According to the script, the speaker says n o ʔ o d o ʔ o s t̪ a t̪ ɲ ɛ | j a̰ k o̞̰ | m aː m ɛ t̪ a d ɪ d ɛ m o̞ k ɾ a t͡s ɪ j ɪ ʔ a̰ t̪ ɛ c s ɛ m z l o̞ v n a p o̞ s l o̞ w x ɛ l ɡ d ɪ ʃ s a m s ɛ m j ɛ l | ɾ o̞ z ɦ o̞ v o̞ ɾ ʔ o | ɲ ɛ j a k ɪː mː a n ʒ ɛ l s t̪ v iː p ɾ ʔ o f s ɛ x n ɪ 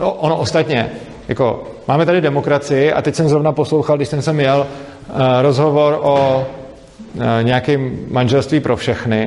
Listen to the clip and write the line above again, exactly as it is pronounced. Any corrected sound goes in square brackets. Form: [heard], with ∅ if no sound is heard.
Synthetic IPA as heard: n o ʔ o [n] o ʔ o s t̪ a t̪ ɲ ɛ | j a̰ k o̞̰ | m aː m ɛ t̪ a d ɪ d ɛ m o̞ k ɾ a t͡s ɪ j ɪ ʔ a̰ t̪ ɛ c s ɛ m z [ɾ] o̞ v n a p o̞ s l o̞ w x [a] l ɡ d ɪ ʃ s [ɛ] m s ɛ m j ɛ l | ɾ o̞ z ɦ o̞ v o̞ ɾ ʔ o | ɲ ɛ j a k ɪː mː a n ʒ ɛ l s t̪ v iː p ɾ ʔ o f [ʃ] ɛ x n ɪ